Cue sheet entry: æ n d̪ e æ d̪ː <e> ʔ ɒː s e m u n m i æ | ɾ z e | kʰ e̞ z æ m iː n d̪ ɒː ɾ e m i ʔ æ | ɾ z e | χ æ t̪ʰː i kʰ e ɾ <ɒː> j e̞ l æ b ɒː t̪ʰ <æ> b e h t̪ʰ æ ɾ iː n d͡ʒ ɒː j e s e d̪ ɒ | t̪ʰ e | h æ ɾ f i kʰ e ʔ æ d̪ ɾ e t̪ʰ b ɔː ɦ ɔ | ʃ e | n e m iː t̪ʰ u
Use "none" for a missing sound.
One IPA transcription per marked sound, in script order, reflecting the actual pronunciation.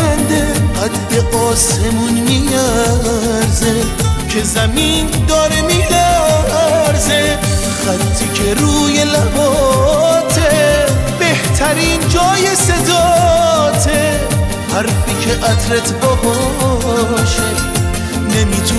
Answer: e, uː, e

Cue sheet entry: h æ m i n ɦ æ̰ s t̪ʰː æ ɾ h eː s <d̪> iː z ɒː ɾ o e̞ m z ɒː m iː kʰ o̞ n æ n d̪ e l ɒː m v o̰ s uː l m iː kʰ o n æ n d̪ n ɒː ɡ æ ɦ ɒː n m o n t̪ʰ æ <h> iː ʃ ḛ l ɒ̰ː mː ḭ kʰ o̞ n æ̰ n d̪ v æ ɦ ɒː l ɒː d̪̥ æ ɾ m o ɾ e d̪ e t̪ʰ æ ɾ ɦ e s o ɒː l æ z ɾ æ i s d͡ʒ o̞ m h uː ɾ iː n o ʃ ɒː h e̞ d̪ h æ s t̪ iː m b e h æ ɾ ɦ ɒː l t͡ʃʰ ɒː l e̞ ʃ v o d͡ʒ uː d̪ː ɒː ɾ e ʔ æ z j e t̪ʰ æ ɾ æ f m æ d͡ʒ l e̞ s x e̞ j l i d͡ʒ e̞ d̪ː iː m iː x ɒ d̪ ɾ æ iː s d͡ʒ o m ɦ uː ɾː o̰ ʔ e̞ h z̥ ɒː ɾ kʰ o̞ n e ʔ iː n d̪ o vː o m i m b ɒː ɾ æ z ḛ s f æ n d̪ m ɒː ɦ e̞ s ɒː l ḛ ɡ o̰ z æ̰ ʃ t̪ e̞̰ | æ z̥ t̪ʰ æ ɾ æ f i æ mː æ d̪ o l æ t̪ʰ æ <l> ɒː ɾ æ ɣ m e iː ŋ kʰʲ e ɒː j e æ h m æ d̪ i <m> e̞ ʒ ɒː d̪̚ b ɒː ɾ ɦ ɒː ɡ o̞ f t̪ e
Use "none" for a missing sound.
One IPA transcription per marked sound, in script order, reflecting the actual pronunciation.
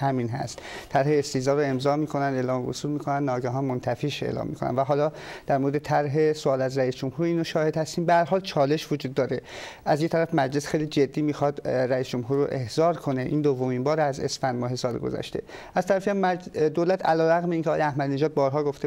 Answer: t̪, f, l, n

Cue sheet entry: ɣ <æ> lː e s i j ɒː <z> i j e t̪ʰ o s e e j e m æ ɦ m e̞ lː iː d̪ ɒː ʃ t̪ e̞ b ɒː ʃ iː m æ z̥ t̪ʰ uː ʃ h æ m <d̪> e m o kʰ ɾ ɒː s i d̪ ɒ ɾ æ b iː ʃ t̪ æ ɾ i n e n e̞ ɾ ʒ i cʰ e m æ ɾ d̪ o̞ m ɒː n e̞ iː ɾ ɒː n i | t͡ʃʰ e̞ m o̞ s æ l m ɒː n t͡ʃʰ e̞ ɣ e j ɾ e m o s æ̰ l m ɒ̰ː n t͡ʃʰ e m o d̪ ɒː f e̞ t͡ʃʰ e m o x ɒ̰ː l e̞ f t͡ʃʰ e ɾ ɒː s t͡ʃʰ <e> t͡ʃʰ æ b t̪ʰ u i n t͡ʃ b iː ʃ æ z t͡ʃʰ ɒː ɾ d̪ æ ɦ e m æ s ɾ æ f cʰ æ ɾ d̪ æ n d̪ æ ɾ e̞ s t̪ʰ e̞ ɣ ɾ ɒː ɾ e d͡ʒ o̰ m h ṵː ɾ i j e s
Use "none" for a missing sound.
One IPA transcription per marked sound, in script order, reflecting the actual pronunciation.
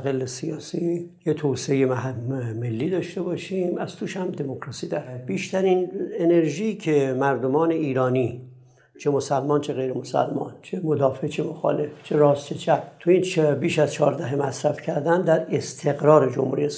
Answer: e, s, d̪, e

